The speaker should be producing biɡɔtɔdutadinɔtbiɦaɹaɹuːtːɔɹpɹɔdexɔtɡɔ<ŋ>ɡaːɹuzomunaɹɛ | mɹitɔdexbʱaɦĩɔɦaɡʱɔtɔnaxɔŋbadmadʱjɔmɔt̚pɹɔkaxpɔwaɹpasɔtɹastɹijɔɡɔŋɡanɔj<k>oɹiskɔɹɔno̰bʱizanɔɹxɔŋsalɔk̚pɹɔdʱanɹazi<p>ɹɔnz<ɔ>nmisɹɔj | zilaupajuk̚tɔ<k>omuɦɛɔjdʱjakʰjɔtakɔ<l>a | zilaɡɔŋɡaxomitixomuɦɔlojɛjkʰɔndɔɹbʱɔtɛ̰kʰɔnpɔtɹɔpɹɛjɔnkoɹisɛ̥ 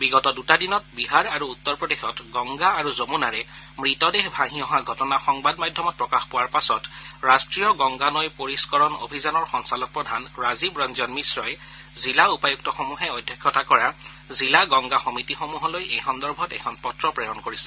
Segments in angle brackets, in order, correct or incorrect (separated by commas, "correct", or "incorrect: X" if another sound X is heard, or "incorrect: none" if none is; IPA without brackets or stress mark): correct, incorrect: p, incorrect: b, correct, incorrect: x, incorrect: ɹ